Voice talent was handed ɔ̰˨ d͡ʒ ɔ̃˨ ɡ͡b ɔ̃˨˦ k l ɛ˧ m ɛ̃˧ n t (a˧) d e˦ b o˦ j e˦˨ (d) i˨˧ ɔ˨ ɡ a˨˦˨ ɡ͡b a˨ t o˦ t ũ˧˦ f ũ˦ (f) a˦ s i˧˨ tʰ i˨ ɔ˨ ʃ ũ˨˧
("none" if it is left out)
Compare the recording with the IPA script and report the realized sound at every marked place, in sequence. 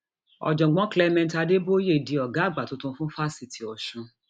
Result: a˧, d, f

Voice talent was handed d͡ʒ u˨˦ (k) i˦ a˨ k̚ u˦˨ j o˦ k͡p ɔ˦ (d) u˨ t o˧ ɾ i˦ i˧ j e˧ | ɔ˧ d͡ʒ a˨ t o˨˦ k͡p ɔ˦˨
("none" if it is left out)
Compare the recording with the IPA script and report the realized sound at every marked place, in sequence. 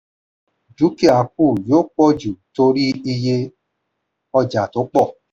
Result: k, d͡ʒ

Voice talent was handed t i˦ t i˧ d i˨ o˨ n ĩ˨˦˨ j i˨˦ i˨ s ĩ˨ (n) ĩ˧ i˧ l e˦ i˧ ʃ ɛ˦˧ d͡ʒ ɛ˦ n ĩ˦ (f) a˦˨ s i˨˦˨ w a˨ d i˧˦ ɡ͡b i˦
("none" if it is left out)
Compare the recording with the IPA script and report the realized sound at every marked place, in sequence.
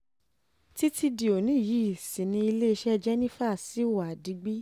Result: n, f

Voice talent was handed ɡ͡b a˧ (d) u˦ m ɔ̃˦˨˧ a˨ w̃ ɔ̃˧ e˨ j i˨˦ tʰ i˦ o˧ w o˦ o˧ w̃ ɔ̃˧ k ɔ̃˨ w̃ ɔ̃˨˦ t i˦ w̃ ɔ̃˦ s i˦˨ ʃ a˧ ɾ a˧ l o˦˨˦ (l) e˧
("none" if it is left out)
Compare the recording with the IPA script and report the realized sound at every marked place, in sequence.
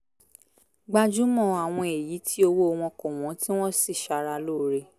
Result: d͡ʒ, ɾ

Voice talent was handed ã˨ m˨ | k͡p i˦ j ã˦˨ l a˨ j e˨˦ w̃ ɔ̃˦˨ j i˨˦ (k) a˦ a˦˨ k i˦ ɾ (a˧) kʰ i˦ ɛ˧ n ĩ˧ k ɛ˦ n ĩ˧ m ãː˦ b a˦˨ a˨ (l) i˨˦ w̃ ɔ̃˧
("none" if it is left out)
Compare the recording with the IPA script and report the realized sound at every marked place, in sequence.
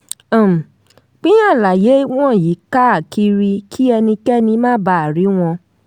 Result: k, i˧, ɾ

